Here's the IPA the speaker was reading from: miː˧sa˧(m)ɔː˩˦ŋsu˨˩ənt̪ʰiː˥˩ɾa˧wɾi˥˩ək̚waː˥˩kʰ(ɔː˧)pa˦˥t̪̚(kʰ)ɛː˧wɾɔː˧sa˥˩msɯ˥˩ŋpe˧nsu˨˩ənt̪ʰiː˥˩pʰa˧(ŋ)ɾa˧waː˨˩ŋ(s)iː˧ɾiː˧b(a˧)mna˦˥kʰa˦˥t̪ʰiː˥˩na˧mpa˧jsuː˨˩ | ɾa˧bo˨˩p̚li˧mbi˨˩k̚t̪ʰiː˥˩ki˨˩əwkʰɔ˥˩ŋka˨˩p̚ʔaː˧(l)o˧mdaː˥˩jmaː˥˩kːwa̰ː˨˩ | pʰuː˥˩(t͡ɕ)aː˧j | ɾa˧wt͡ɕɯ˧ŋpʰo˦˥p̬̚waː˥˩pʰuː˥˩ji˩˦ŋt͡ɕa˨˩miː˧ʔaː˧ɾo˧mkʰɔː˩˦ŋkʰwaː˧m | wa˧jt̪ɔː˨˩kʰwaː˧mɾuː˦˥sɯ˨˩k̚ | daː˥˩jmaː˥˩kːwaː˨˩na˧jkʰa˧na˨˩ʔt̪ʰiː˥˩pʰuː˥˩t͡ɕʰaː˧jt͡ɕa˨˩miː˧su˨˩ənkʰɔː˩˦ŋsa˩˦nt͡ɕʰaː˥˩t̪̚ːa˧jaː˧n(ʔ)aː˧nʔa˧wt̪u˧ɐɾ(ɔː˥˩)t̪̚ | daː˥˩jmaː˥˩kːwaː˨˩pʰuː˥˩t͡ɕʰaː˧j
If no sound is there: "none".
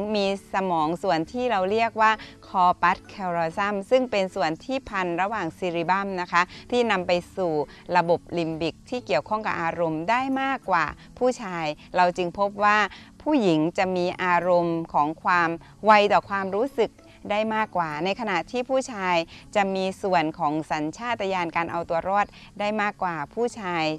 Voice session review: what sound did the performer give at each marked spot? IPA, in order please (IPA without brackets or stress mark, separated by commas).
m, ɔː˧, kʰ, n, s, a˥˩, ɾ, t͡ɕʰ, k, ɔː˥˩